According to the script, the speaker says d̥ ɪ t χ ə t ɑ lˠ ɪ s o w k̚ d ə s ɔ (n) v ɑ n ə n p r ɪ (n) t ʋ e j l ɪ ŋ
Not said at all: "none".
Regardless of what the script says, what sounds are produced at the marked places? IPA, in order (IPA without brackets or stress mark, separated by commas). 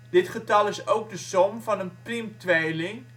m, m